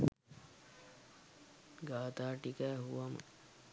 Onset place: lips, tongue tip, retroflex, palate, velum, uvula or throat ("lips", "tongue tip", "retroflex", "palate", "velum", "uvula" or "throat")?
velum